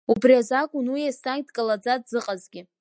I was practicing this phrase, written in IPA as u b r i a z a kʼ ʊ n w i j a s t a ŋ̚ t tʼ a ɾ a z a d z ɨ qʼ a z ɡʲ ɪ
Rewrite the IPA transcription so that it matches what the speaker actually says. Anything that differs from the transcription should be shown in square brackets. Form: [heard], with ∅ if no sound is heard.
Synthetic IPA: u b r i a z a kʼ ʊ n w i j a s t a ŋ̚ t [kʼ] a [l] a [d͡z] a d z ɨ qʼ a z ɡʲ ɪ

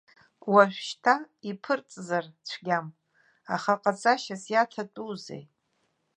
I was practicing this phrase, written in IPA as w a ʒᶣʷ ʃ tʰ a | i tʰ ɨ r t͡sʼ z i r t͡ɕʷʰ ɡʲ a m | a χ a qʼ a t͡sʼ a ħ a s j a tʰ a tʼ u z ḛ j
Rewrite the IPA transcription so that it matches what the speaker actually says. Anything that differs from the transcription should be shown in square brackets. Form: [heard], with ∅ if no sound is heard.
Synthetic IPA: w a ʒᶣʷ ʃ tʰ a | i [pʰ] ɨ r t͡sʼ z [a] r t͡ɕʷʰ ɡʲ a m | a χ a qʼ a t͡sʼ a [ʃ] a s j a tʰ a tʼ u z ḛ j

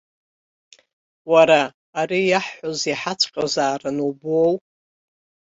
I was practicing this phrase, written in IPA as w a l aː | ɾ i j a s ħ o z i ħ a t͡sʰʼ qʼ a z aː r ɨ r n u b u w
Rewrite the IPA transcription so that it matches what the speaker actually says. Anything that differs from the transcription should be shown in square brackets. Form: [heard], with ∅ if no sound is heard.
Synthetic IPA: w a [ɾ] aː | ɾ i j a [ħ] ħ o z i ħ a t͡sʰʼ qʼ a z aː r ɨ [∅] n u b [o] w

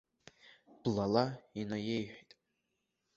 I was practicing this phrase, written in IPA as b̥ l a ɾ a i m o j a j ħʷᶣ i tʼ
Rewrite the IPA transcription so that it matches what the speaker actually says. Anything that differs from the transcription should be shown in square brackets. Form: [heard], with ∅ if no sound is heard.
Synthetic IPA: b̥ l a [l] a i [n] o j [e] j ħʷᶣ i tʼ

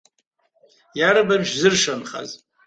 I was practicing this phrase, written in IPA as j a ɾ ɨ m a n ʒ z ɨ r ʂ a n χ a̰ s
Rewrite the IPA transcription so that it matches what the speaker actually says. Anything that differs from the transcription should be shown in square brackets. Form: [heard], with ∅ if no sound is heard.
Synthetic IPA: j a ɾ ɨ [b] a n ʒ z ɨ r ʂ a n χ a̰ [z]

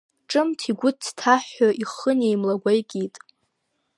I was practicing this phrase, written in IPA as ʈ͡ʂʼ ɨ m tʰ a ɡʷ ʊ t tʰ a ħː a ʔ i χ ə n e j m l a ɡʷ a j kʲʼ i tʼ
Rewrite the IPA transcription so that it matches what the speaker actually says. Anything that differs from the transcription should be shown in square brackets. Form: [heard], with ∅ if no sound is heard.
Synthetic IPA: ʈ͡ʂʼ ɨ m tʰ [i] ɡʷ ʊ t tʰ a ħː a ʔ i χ ə n e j m l a ɡʷ a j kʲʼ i tʼ

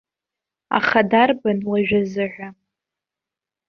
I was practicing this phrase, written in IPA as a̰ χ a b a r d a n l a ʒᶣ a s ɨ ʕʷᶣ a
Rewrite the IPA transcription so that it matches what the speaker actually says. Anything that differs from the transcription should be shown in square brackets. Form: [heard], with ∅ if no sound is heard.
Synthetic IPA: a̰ χ a [d] a r [b] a n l a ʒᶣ a [z] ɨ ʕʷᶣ a

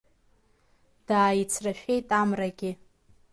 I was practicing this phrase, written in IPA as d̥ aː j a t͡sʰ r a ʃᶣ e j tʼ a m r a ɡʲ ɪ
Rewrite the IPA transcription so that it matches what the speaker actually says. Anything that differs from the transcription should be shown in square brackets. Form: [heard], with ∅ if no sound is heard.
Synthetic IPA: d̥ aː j [i] t͡sʰ r a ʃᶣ e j tʼ a m r a ɡʲ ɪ

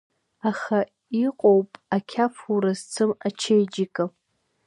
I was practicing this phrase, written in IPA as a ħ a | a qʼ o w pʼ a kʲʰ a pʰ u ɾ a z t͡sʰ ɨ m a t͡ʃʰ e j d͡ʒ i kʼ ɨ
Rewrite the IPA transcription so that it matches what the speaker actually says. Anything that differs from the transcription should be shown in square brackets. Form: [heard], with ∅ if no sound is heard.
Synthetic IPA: a [χ] a | [i] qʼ o w pʼ a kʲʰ a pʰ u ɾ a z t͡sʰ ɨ m a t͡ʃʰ e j d͡ʒ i kʼ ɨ

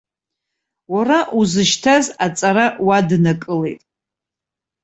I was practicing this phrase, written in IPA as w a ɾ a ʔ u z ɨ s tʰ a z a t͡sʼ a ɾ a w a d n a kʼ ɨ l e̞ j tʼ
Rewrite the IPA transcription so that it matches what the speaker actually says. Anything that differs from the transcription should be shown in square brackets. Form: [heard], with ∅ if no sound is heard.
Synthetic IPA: w a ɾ a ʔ u z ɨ [ʃ] tʰ a z a t͡sʼ a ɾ a w a d n a kʼ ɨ l e̞ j tʼ

